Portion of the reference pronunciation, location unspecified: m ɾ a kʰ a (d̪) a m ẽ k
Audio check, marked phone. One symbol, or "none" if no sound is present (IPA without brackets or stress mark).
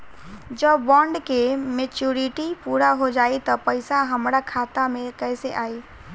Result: t̪